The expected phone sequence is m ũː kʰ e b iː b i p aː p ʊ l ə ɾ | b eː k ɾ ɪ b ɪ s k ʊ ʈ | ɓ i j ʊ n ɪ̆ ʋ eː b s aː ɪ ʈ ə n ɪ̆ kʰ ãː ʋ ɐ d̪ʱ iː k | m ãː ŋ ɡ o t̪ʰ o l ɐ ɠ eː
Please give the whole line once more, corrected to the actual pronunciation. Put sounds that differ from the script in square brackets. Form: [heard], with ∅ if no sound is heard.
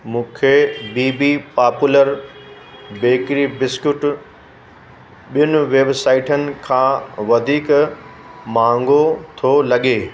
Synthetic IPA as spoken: m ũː kʰ e b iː b i p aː p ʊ l ə ɾ | b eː k ɾ [i] b ɪ s k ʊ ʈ | ɓ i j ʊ n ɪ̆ ʋ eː b s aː ɪ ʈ ə n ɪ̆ kʰ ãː ʋ ɐ d̪ʱ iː k | m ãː ŋ ɡ o t̪ʰ o l ɐ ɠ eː